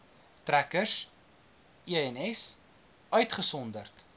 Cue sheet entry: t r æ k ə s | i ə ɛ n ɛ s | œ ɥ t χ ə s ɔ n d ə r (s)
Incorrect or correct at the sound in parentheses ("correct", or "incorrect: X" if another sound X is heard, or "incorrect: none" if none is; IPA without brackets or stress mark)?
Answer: incorrect: t